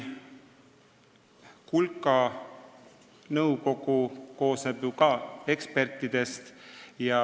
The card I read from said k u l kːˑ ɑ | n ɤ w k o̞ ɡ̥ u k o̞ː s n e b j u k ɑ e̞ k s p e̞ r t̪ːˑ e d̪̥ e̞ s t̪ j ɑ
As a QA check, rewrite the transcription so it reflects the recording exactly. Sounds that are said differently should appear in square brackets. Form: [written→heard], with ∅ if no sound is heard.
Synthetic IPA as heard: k u l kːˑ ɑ | n ɤ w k o̞ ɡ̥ u k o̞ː s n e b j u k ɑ e̞ k s p e̞ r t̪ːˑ [e→i] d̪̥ e̞ s t̪ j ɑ